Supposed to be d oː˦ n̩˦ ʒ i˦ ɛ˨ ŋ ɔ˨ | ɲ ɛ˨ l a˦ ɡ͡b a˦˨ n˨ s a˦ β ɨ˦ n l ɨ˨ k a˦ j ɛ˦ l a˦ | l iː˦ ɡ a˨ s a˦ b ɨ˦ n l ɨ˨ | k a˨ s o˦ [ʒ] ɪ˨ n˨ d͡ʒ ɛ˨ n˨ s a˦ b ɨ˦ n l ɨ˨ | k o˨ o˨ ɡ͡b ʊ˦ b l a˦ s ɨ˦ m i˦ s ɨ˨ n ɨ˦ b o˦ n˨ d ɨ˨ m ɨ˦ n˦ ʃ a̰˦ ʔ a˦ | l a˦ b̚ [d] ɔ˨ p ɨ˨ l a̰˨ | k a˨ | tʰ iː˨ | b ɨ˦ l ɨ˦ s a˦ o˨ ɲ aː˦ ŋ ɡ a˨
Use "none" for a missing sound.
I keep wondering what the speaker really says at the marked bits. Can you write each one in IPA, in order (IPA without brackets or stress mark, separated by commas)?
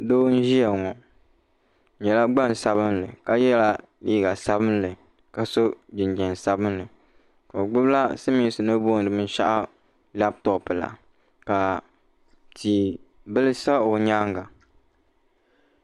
d͡ʒ, t